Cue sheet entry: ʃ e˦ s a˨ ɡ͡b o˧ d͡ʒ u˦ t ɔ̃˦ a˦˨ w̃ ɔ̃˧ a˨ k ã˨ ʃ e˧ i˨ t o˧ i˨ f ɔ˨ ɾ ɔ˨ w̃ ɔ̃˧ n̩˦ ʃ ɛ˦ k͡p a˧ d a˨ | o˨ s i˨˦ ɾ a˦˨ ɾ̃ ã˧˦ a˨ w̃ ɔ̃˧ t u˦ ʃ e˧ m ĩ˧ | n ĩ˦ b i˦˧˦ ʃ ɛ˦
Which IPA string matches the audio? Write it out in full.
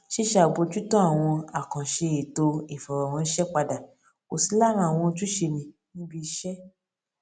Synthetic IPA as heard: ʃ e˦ ʃ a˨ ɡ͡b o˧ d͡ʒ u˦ t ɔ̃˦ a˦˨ w̃ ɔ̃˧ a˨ k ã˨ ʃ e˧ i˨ t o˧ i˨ f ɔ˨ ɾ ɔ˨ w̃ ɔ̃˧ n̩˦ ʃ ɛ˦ k͡p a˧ d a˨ | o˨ s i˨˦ l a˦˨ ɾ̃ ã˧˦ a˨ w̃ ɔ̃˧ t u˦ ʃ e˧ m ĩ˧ | n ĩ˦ b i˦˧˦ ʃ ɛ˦